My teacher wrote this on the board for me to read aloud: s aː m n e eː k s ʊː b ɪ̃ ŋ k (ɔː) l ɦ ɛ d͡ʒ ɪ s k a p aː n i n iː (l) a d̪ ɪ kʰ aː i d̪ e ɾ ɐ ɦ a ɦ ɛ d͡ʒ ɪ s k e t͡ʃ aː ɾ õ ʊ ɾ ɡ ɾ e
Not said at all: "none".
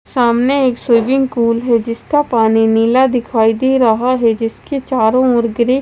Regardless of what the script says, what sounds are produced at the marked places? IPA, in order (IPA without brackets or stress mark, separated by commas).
uː, l